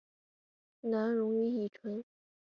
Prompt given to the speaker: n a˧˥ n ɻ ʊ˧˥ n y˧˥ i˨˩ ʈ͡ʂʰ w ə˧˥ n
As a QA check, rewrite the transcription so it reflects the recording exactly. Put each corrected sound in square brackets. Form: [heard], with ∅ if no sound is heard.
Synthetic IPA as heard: n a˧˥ n ɻ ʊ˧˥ [ŋ] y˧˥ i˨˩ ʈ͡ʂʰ w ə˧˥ n